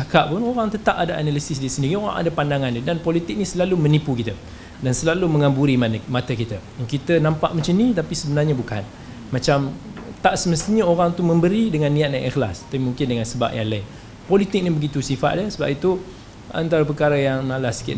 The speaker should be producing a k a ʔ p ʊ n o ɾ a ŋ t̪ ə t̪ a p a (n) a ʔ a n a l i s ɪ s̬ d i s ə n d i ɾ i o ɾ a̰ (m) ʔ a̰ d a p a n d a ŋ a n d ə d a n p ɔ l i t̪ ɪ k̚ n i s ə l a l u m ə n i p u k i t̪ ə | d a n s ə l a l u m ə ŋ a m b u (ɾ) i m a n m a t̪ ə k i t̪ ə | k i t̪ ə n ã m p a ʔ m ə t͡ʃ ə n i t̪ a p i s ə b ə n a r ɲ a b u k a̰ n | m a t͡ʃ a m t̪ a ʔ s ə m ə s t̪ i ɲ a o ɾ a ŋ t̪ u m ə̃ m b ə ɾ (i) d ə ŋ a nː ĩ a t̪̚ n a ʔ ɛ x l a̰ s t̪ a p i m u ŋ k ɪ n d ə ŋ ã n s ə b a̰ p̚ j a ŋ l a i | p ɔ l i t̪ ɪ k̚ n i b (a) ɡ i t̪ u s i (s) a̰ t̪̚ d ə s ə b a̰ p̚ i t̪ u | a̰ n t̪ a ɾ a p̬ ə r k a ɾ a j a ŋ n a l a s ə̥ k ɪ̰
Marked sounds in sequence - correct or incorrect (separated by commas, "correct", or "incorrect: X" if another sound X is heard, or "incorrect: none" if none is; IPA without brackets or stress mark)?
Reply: incorrect: d, incorrect: ŋ, correct, correct, incorrect: ə, incorrect: f